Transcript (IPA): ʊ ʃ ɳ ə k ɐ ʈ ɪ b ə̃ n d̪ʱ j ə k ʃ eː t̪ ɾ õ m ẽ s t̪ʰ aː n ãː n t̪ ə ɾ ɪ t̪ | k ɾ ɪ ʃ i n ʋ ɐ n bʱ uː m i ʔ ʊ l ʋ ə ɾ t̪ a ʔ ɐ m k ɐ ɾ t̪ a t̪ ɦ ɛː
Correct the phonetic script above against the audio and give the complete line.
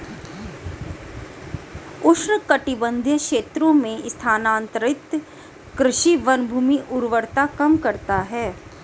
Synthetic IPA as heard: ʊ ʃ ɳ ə k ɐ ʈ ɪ b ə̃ n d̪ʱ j ə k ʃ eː t̪ ɾ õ m ẽ s t̪ʰ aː n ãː n t̪ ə ɾ ɪ t̪ | k ɾ ɪ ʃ i ʋ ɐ n bʱ uː m i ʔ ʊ ɾ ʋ ə ɾ t̪ a k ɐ m k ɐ ɾ t̪ a ɦ ɛː